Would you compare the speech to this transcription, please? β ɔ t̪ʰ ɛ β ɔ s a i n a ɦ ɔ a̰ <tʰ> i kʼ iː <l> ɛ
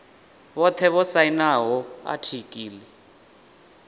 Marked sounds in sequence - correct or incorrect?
correct, correct

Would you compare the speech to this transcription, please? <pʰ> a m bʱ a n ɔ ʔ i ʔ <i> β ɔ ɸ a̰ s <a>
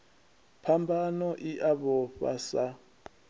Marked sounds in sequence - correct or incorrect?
correct, incorrect: a, correct

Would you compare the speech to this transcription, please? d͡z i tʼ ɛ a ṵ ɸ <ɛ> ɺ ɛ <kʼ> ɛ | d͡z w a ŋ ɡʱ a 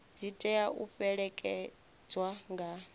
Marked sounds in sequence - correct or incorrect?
correct, correct

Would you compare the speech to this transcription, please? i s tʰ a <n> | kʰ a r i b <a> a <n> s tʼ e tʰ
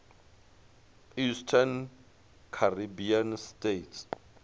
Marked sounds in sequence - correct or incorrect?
correct, incorrect: i, correct

